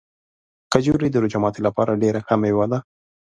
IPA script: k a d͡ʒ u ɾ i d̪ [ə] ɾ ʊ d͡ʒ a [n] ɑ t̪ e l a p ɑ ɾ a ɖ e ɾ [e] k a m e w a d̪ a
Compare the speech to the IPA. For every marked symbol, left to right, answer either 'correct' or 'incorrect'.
correct, incorrect, incorrect

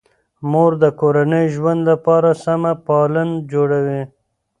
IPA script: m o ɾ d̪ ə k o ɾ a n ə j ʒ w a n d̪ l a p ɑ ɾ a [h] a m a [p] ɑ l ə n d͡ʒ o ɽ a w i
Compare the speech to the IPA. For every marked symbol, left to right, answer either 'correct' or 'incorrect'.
incorrect, correct

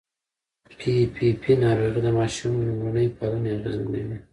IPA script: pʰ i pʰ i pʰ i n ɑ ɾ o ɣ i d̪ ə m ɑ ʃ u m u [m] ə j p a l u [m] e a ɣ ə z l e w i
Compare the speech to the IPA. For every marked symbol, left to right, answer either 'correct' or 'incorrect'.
incorrect, incorrect

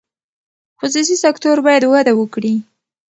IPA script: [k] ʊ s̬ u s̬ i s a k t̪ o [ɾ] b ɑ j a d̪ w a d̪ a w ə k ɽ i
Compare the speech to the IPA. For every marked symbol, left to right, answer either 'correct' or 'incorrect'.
incorrect, correct

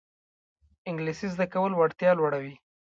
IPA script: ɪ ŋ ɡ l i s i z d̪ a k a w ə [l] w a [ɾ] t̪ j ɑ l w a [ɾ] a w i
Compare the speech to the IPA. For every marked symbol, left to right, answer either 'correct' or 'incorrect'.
correct, incorrect, incorrect

